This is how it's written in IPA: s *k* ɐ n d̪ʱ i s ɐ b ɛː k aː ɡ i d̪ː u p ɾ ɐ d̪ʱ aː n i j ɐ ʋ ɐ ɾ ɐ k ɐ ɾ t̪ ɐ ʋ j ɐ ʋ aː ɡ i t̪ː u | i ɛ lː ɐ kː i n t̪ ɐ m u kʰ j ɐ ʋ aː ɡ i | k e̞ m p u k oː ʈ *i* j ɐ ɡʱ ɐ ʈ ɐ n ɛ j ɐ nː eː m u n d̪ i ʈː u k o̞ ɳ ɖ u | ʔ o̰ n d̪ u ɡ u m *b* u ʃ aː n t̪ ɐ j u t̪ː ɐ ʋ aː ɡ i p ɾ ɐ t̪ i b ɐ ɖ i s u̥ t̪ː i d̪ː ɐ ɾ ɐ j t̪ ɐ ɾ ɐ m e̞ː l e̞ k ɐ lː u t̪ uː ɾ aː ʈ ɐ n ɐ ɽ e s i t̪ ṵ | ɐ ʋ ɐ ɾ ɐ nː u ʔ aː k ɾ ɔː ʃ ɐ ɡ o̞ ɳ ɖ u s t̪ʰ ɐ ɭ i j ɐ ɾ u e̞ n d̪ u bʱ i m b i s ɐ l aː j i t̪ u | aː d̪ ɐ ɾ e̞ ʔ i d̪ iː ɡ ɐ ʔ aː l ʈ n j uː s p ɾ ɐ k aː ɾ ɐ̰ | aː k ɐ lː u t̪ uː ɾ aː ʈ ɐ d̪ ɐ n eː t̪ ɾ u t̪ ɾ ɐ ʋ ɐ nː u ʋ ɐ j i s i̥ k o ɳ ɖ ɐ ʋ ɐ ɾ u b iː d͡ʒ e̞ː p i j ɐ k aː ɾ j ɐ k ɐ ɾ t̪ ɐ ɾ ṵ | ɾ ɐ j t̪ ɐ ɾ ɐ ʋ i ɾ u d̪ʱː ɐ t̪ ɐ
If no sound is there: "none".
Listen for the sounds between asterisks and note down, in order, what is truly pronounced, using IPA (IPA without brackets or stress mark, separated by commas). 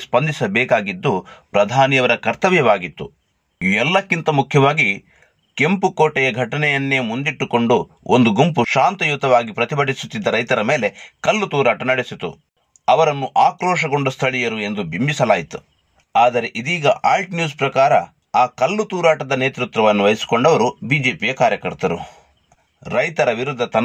p, ɛ, p